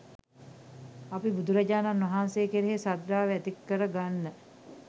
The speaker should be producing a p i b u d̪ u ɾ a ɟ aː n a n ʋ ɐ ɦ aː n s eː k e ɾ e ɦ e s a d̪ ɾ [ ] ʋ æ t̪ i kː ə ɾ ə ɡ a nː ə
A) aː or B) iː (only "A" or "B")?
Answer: A